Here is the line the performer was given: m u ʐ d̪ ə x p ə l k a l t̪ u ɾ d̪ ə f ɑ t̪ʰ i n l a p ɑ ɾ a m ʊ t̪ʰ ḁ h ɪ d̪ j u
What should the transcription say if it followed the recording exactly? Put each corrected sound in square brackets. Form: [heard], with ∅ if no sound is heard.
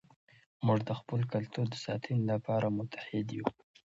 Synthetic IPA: m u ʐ d̪ ə x p ə l k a l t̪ u ɾ d̪ ə [s] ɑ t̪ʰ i n l a p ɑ ɾ a m ʊ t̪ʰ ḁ h ɪ d̪ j u